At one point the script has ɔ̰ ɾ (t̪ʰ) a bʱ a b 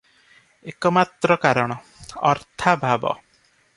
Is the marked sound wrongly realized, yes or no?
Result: no